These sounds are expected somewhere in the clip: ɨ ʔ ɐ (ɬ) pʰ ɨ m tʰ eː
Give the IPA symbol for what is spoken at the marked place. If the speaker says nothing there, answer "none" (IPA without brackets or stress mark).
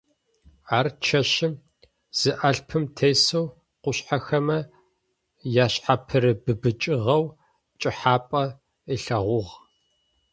ɬ